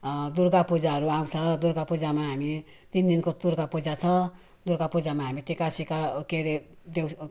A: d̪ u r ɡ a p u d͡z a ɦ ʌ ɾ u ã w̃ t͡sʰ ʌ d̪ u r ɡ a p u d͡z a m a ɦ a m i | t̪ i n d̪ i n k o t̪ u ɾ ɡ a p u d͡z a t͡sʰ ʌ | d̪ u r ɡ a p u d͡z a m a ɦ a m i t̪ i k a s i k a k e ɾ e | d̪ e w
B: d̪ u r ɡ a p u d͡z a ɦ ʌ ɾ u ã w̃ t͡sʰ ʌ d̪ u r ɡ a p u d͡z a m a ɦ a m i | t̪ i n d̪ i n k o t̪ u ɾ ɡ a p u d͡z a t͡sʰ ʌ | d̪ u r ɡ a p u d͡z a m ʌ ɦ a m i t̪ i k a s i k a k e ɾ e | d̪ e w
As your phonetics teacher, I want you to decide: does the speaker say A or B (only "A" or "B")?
A